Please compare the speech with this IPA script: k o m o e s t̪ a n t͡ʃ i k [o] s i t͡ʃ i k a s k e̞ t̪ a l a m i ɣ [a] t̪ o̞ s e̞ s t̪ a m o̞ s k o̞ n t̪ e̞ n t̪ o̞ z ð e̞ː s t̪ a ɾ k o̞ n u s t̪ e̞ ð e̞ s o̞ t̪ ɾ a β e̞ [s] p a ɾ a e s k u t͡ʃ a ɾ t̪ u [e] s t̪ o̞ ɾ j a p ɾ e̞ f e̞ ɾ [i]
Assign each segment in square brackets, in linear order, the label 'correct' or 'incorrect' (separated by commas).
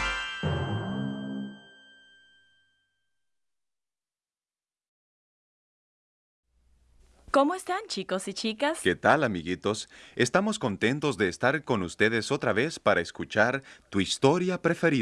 correct, incorrect, correct, incorrect, correct